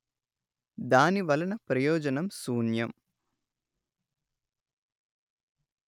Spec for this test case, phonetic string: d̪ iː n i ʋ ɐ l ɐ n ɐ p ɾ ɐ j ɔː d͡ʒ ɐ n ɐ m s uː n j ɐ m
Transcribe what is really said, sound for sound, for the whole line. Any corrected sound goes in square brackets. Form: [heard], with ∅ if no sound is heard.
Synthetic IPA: d̪ [aː] n i ʋ ɐ l ɐ n ɐ p ɾ ɐ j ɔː d͡ʒ ɐ n ɐ m s uː n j ɐ m